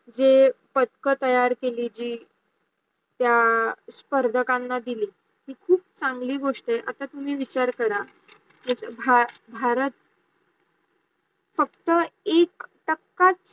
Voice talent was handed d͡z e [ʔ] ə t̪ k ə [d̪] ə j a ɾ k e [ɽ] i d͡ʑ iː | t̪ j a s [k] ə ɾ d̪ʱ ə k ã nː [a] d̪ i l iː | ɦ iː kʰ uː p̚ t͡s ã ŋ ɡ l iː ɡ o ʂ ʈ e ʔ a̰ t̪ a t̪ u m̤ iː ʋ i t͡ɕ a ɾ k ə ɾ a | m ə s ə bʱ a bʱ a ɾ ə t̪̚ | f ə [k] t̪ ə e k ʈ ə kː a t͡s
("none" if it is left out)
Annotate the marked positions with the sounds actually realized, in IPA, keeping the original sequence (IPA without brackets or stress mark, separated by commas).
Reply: p, t̪, l, p, a, k